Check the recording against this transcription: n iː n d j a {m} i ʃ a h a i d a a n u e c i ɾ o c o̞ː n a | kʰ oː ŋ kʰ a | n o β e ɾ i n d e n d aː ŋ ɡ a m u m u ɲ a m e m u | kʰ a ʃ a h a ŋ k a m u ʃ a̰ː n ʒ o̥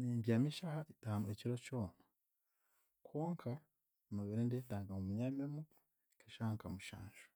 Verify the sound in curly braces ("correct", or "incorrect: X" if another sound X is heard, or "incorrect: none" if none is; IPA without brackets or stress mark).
correct